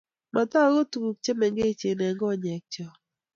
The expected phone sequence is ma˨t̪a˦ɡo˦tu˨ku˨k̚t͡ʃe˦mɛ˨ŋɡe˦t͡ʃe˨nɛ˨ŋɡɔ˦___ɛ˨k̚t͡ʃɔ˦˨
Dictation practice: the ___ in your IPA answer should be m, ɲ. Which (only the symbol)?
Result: ɲ